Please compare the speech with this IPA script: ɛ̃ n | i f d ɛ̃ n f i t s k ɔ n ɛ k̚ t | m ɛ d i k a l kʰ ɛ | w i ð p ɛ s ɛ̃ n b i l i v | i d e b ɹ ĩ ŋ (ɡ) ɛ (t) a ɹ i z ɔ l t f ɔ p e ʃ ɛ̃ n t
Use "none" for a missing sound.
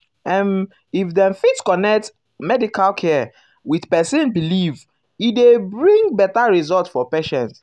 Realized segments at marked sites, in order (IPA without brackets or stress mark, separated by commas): b, t